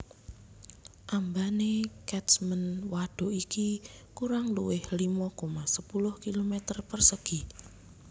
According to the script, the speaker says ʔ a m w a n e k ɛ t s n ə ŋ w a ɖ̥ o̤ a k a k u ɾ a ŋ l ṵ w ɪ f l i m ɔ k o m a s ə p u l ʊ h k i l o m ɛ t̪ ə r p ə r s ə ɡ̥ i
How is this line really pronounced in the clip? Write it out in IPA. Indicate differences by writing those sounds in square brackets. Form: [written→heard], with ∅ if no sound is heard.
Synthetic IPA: ʔ a m [w→b] a n e k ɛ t s [n→m] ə [ŋ→n] w a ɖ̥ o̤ [a→i] k [a→i] k u ɾ a ŋ l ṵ w ɪ [f→h] l i m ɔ k o m a s ə p u l ʊ h k i l o m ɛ t̪ ə r p ə r s ə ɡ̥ i